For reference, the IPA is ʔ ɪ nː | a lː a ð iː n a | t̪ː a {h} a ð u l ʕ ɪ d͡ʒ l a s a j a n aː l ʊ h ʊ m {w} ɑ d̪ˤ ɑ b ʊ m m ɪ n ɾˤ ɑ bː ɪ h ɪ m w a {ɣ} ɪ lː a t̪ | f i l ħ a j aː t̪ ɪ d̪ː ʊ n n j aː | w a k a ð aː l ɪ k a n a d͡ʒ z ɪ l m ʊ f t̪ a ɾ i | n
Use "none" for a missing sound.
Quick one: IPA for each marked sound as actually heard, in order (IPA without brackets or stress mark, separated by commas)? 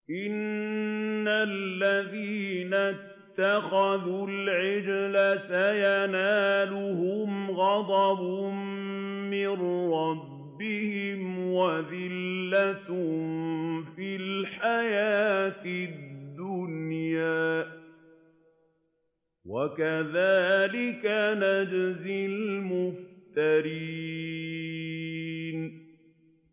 x, ɣ, ð